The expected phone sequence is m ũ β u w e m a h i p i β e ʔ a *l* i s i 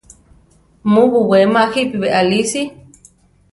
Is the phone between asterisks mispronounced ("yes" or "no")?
no